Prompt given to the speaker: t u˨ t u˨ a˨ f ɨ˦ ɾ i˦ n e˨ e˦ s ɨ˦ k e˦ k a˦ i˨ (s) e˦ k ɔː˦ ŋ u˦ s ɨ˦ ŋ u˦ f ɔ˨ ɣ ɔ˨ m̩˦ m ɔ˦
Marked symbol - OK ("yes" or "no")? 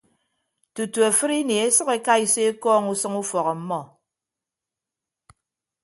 yes